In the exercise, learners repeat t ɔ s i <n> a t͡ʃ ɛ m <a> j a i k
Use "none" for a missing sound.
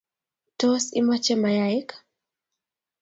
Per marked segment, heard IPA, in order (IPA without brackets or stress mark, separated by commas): m, a